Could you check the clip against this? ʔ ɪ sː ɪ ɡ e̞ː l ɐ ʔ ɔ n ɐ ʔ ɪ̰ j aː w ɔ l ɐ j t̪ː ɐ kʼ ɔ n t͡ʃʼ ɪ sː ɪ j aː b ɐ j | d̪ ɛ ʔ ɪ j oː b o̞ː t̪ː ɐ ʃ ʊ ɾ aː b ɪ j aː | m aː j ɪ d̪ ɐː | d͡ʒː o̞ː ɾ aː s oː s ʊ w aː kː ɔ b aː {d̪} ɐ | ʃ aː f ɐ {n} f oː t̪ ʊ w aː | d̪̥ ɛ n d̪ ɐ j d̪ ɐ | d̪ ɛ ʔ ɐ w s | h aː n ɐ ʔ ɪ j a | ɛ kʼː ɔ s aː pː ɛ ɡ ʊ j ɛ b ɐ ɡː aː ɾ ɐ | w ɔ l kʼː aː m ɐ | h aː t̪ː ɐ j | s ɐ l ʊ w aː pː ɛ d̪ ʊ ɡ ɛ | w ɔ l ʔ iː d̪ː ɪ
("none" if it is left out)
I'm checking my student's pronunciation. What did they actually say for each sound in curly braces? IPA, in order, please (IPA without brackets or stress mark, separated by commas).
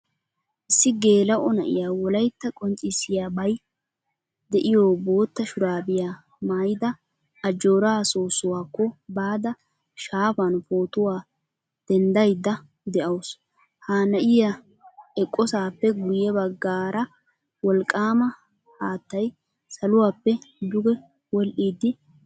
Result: d̪, n